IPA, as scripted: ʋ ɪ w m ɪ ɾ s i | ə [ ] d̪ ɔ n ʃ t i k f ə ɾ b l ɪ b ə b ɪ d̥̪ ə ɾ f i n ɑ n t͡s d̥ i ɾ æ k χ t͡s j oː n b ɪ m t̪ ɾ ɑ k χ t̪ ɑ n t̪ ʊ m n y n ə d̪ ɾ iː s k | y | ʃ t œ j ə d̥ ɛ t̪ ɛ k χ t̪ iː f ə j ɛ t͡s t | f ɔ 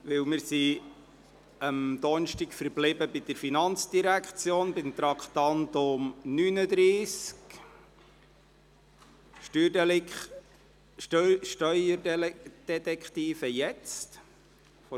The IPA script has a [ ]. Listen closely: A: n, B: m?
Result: B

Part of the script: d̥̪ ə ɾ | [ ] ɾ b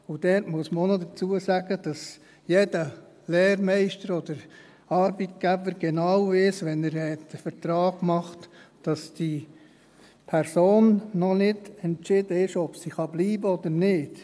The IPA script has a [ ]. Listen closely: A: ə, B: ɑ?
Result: B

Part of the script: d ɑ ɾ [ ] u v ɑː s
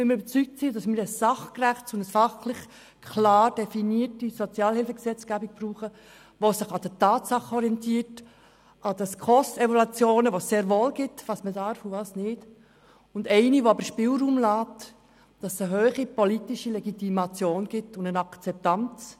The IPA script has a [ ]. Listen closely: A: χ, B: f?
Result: B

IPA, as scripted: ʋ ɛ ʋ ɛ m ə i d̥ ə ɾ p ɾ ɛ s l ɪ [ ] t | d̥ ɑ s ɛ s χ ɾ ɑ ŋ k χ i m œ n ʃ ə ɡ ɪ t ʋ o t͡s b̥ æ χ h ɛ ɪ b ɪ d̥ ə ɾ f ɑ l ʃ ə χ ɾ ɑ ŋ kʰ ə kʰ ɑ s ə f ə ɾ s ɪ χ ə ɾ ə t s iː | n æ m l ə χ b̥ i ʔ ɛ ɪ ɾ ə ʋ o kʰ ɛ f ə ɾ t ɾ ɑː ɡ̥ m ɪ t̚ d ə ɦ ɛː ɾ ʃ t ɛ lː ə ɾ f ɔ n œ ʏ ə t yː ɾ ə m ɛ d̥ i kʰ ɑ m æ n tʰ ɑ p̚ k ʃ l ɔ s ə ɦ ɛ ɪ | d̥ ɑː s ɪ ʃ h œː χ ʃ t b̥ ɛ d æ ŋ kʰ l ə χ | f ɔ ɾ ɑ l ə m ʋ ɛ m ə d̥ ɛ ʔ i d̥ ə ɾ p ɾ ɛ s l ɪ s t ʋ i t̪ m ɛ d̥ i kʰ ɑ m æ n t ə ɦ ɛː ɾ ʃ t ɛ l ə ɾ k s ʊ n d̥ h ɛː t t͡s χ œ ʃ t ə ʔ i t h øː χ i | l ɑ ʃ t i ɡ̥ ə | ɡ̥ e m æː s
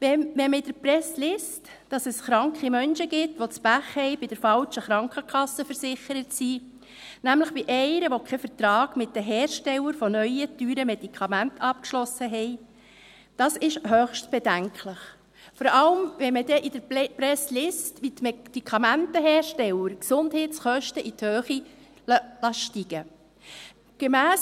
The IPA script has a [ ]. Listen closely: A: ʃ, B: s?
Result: B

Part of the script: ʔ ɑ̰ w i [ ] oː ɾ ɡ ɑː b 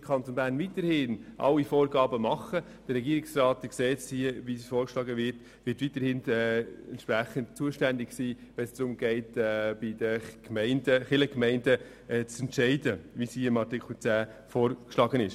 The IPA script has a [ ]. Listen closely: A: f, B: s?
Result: A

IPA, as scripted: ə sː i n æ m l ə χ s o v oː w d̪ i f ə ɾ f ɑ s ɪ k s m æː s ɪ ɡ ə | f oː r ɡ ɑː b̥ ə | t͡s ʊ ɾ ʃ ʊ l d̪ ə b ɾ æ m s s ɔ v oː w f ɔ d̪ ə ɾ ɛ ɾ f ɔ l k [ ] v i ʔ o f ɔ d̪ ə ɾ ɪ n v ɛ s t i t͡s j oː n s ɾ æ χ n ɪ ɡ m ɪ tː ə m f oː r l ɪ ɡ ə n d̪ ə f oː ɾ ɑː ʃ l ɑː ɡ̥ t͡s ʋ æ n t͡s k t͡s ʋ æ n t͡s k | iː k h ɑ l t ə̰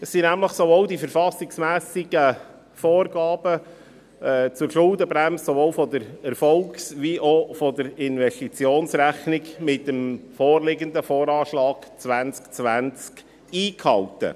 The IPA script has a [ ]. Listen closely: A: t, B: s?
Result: B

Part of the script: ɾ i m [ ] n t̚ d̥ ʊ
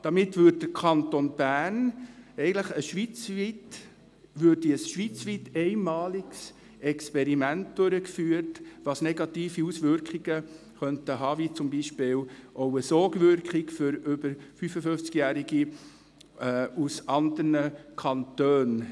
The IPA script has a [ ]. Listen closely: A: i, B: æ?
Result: B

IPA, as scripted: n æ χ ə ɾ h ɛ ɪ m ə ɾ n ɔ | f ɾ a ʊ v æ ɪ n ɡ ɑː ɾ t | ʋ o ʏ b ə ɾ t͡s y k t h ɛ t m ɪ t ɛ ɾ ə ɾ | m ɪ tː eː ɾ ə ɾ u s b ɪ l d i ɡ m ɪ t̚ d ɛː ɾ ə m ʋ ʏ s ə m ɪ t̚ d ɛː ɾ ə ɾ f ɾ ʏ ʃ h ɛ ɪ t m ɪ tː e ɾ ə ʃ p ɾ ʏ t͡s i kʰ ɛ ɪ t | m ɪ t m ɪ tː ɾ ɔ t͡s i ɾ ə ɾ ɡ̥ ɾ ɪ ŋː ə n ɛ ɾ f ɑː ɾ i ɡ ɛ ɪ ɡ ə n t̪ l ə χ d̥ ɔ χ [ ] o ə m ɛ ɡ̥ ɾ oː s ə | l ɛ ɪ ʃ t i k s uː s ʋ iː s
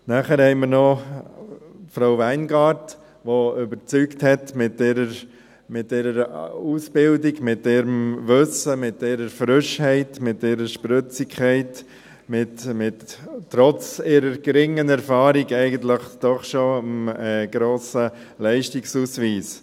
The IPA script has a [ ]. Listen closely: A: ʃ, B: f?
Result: A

